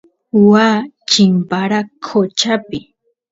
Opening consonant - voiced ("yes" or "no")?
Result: yes